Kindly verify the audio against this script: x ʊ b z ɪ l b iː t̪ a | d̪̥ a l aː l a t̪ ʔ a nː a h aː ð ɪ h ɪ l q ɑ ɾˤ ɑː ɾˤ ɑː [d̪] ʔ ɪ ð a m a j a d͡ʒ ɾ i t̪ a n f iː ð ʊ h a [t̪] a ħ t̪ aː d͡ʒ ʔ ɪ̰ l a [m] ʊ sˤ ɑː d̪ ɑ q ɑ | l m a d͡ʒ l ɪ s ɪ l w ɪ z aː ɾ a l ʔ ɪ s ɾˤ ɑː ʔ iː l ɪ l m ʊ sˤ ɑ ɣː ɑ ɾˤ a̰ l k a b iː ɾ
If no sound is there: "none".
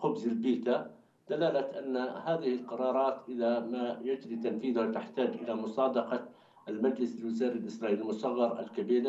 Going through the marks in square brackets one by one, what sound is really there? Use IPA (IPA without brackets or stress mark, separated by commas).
t̪, t̪, m